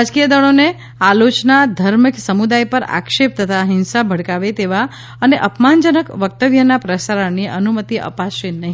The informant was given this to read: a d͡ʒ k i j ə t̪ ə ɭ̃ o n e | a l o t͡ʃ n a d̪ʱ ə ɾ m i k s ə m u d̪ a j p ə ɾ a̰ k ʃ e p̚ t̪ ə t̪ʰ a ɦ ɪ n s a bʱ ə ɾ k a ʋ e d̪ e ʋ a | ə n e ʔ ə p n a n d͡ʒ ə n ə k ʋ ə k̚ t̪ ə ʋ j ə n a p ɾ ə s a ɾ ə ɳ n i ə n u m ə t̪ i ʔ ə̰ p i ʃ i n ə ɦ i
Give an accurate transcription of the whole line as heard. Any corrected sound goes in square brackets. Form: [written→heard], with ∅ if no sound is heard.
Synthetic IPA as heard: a d͡ʒ k i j ə [t̪→d̪] ə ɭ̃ o n e | a l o t͡ʃ n a d̪ʱ ə ɾ m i k s ə m u d̪ a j p ə ɾ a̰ k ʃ e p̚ t̪ ə t̪ʰ a ɦ ɪ n s a bʱ ə [ɾ→ɽ] k a ʋ e [d̪→t̪] e ʋ a | ə n e ʔ ə p [n→m] a n d͡ʒ ə n ə k ʋ ə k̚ t̪ ə ʋ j ə n a p ɾ ə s a ɾ ə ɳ n i ə n u m ə t̪ i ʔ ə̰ p [i→a] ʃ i n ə ɦ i